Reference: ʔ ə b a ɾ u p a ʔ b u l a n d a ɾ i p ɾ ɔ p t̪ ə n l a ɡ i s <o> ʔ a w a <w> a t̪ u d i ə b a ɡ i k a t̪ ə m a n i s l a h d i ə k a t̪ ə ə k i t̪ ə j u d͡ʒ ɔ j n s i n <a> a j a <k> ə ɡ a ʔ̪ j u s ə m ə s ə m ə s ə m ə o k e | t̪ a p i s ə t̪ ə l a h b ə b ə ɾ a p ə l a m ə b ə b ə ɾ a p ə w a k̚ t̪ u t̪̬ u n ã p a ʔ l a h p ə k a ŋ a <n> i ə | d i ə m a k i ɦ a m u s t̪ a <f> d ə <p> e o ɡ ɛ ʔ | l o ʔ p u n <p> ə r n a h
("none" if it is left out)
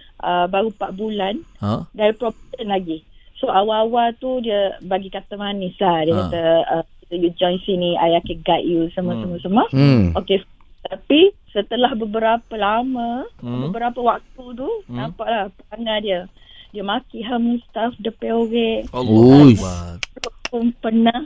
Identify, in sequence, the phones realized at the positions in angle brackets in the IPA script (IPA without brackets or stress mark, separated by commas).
o, w, i, k, d, f, p, p